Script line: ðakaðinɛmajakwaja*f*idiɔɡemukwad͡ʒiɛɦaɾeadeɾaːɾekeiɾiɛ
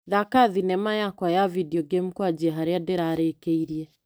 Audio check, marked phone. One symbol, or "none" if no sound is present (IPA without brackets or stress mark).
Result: v